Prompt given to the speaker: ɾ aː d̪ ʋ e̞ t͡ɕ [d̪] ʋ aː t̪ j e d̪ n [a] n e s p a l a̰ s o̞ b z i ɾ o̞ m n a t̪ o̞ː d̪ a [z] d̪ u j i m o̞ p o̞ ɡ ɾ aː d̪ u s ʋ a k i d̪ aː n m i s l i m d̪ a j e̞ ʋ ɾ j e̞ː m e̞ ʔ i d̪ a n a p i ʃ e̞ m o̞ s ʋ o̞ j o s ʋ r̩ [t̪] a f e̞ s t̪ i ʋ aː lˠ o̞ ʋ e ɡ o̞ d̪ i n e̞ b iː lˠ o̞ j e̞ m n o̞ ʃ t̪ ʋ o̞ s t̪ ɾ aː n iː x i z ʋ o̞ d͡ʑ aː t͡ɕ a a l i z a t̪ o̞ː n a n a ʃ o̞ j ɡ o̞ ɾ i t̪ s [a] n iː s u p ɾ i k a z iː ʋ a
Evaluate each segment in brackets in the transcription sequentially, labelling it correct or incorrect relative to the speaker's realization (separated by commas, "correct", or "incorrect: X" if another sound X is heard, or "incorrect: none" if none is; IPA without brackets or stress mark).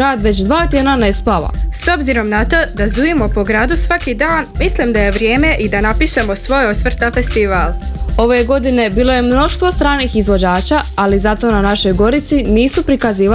correct, correct, correct, correct, incorrect: i